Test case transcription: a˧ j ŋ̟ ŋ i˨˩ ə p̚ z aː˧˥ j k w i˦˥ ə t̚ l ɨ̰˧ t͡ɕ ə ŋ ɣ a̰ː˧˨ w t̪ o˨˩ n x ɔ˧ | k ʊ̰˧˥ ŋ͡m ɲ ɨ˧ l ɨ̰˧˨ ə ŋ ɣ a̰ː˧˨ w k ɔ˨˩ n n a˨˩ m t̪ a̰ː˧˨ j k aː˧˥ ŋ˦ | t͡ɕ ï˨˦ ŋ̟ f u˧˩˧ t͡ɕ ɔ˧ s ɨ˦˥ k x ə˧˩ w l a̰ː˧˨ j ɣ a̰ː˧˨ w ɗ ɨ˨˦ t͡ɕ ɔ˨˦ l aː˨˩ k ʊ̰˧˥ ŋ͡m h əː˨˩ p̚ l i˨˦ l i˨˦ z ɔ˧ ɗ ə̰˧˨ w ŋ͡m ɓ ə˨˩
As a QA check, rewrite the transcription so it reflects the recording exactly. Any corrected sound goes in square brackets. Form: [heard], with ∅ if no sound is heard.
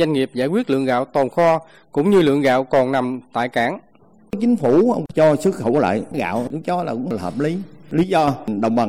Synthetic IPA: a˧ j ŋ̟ ŋ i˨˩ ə p̚ z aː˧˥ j k w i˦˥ ə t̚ l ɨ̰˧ [∅] ə ŋ ɣ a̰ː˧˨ w t̪ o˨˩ n x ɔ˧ | k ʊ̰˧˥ ŋ͡m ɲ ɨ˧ l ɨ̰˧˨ ə ŋ ɣ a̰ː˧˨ w k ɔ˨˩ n n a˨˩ m t̪ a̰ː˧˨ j k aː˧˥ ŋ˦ | t͡ɕ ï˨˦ ŋ̟ f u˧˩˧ t͡ɕ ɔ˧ s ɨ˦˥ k x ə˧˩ w l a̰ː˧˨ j ɣ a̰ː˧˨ w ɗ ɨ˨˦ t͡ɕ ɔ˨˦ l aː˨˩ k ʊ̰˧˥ ŋ͡m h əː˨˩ p̚ l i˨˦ l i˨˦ z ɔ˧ ɗ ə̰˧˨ w ŋ͡m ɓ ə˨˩